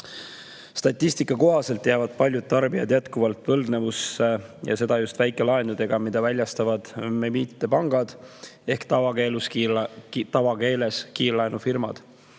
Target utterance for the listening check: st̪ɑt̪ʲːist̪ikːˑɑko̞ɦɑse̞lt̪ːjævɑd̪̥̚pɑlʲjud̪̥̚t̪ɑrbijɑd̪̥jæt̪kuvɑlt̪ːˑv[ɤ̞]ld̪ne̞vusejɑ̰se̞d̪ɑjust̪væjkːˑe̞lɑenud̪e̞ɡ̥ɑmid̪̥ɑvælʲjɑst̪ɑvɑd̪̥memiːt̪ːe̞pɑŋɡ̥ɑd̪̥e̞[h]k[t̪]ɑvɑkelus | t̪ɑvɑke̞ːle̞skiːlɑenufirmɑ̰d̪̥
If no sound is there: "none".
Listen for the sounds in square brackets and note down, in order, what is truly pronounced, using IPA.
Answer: ɤ̞, h, t̪

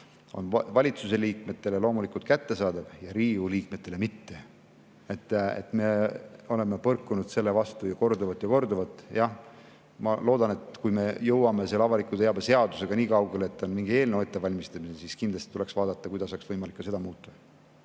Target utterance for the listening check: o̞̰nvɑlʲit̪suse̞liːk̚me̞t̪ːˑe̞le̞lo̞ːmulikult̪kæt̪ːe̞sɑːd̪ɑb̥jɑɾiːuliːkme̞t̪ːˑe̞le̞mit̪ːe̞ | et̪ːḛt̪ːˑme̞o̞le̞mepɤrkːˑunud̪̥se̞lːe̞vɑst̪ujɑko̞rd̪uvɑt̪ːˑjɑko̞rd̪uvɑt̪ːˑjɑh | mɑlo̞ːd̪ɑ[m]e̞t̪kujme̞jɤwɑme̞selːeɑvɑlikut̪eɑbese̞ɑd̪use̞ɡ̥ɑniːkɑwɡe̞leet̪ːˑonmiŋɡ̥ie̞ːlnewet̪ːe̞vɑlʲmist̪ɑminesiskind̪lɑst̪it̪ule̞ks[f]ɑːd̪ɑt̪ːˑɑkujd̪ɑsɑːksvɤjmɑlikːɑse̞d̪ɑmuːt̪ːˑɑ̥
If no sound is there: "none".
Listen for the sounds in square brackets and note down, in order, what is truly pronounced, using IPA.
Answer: n, v

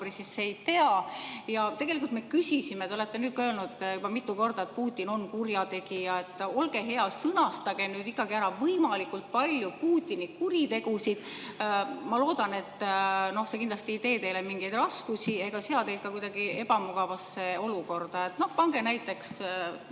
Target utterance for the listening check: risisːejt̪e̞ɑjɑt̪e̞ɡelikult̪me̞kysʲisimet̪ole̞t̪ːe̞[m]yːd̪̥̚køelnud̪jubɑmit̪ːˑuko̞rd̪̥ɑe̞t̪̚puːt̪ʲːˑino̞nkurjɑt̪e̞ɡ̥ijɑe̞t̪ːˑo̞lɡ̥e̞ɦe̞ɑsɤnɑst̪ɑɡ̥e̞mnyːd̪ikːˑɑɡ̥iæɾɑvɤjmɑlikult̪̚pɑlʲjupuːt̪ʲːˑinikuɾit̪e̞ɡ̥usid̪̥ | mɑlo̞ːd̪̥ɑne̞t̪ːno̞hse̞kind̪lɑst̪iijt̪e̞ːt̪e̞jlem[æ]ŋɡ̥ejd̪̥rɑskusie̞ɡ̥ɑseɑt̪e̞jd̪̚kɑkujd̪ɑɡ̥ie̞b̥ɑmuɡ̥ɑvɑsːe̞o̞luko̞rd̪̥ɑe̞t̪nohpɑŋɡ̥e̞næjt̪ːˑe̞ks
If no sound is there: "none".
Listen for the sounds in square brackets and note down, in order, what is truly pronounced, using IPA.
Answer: n, i

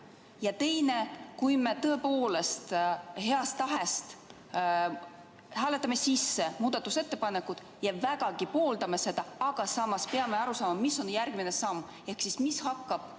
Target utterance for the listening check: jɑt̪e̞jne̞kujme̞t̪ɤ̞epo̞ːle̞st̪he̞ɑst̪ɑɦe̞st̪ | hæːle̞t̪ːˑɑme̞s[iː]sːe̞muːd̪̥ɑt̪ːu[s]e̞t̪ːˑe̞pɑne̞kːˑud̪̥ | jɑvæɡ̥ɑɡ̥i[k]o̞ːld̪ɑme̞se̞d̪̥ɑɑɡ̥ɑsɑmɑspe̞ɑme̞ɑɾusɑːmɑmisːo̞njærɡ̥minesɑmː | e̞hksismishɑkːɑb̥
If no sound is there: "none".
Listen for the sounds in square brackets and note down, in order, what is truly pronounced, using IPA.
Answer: i, s, p

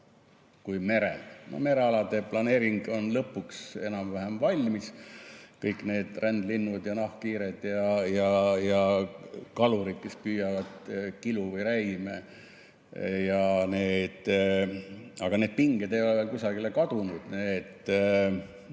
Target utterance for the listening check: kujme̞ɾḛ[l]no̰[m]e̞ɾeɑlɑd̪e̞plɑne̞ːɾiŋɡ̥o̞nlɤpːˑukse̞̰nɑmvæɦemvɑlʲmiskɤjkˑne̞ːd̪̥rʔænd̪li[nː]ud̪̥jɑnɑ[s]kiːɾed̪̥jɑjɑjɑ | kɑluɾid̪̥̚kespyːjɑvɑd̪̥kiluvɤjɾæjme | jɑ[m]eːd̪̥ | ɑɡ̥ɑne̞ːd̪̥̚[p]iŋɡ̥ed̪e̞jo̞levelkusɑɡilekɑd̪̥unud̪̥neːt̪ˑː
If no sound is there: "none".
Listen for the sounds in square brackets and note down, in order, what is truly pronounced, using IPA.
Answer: l, m, nː, h, n, p

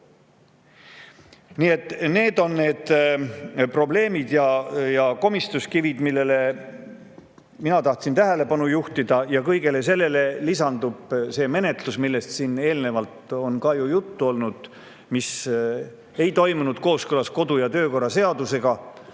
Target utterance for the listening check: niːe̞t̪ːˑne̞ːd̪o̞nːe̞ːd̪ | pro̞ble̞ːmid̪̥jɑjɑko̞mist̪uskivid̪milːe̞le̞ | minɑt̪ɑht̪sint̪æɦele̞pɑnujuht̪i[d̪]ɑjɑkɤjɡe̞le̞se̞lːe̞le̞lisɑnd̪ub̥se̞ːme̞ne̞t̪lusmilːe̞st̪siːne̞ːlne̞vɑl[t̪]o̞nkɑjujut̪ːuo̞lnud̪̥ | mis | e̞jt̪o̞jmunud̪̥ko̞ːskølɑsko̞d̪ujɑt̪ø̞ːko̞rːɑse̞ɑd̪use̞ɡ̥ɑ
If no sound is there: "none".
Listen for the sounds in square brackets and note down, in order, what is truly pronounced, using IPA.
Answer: d̪, t̪

